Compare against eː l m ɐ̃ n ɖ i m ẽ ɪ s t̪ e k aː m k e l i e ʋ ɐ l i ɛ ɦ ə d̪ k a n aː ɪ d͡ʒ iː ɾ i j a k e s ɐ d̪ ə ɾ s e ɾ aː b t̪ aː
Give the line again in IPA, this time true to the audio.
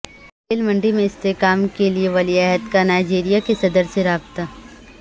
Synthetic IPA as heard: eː l m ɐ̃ ɳ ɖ i m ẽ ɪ s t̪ e k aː m k e l i e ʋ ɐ l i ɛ ɦ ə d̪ k a n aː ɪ d͡ʒ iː ɾ i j a k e s ɐ d̪ ə ɾ s e ɾ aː b t̪ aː